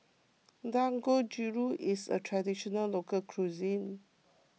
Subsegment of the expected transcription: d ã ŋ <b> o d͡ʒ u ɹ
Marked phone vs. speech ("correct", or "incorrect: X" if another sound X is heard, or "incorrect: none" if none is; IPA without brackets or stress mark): incorrect: ɡ